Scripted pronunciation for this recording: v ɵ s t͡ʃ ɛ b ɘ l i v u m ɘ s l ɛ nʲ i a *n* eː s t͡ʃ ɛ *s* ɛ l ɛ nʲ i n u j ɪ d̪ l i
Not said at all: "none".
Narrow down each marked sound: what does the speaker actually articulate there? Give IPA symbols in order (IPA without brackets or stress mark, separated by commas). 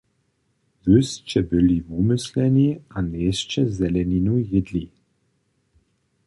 n, z